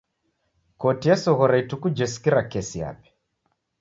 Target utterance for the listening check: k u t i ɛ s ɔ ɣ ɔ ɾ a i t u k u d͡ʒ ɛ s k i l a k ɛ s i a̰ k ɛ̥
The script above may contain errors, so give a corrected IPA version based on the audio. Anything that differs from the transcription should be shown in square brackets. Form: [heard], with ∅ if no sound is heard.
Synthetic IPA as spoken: k [ɔ] t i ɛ s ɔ ɣ ɔ ɾ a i t u k u d͡ʒ ɛ s k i [ɾ] a k ɛ s i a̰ [p] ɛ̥